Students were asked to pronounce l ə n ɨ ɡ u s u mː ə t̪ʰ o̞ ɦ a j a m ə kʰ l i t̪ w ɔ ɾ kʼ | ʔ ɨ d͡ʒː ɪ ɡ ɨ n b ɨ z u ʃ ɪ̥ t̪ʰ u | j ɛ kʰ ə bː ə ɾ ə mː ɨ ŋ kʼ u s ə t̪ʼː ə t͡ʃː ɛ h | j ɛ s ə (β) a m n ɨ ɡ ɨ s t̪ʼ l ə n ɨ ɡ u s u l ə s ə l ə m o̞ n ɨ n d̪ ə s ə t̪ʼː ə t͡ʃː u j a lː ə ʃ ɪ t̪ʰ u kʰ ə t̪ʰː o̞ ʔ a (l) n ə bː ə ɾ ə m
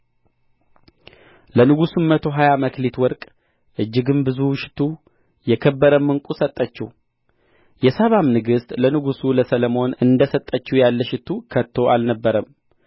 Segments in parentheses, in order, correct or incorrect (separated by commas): correct, correct